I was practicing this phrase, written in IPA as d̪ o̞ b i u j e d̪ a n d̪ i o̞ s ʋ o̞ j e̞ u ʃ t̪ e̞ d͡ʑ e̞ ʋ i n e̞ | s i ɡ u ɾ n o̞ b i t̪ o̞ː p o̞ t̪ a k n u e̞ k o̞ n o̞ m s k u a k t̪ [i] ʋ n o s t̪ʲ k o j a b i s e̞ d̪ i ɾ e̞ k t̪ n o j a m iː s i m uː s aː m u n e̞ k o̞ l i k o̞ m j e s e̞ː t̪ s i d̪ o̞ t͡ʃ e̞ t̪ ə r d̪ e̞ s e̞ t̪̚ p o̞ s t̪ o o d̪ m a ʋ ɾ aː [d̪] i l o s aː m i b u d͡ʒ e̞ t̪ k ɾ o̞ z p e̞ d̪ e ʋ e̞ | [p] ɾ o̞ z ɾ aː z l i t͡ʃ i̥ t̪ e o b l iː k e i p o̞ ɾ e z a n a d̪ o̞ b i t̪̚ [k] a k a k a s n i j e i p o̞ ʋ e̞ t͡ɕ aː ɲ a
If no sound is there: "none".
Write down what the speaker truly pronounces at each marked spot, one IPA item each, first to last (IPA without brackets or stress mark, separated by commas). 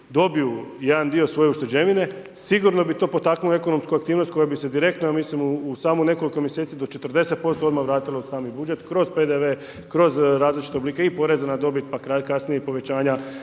iː, t̪, k, p